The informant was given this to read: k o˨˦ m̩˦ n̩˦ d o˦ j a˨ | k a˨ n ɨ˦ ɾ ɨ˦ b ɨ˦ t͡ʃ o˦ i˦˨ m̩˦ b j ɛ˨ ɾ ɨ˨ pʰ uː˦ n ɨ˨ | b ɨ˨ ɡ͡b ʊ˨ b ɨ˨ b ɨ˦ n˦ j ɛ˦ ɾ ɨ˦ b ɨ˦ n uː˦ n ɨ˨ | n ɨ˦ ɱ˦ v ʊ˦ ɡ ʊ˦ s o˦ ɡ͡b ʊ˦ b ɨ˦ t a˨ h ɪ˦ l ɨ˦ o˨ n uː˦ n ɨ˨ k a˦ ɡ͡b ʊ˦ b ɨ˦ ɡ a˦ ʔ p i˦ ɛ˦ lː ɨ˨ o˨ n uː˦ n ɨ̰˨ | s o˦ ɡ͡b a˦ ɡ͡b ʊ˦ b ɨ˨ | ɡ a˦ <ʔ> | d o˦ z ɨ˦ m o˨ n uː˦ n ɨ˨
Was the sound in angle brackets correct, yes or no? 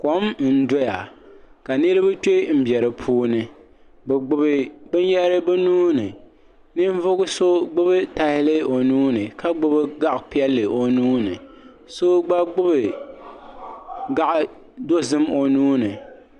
yes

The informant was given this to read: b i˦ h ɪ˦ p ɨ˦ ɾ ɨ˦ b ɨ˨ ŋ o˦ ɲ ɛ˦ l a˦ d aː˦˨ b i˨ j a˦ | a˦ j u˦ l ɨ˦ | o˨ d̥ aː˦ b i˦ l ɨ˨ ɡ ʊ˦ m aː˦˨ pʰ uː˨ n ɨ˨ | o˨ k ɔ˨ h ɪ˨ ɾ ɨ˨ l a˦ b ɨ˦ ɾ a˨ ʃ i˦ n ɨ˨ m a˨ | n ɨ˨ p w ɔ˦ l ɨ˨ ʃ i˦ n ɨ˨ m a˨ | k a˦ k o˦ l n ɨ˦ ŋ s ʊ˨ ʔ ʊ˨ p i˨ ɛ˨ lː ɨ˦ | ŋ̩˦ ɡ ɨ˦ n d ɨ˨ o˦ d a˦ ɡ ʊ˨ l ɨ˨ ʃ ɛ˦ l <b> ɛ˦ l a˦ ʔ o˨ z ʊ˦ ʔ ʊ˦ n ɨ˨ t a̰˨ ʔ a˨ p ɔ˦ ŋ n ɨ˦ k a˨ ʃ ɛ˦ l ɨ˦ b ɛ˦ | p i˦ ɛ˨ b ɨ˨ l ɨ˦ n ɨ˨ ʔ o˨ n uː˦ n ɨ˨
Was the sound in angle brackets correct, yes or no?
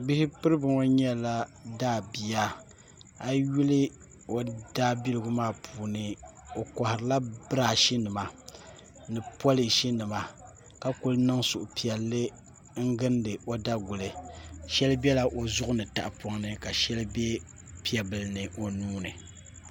yes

